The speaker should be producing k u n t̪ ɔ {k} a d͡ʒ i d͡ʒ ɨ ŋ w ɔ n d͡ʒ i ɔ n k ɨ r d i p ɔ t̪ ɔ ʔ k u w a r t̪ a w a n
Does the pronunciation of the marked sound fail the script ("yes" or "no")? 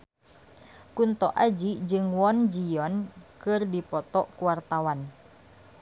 yes